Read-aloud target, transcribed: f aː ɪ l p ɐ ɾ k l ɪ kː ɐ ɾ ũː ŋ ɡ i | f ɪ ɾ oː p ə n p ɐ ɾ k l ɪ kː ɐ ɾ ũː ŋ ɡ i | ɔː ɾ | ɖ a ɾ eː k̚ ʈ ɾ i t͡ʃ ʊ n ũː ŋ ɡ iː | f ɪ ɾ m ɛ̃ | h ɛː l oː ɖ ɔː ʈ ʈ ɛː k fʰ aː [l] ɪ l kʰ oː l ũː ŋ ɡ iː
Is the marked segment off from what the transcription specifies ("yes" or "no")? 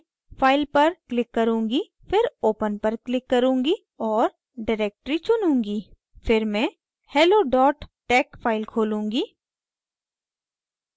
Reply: yes